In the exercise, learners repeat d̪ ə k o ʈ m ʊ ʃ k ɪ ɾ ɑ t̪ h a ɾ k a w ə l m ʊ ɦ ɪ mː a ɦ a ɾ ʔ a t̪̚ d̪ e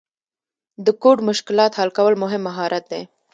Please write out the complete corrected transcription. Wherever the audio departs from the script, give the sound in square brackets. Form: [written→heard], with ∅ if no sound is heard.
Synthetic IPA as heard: d̪ ə k o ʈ m ʊ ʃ k ɪ [ɾ→l] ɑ t̪ h a [ɾ→l] k a w ə l m ʊ ɦ ɪ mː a ɦ [a→ɑ] ɾ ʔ a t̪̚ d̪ e